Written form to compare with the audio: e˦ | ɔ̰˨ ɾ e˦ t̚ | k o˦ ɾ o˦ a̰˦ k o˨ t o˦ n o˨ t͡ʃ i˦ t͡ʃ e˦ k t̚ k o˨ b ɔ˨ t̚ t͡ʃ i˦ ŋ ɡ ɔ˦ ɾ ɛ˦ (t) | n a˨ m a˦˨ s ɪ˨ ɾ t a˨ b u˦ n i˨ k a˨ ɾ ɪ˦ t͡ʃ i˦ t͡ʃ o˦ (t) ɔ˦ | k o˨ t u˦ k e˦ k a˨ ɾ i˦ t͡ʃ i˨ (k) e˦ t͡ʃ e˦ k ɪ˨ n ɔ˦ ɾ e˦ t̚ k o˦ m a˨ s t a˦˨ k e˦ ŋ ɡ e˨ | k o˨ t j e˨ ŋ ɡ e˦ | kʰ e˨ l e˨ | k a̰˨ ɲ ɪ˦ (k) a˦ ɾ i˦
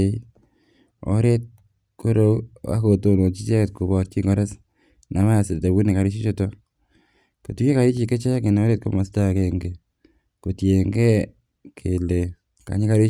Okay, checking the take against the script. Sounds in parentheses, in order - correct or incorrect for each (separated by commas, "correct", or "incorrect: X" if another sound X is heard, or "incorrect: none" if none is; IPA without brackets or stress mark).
incorrect: s, correct, correct, correct